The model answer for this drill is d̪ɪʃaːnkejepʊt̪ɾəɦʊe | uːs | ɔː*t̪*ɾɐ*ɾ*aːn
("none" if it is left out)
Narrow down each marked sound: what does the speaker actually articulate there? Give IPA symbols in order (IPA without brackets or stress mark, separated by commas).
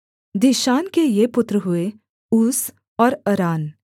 none, ɾ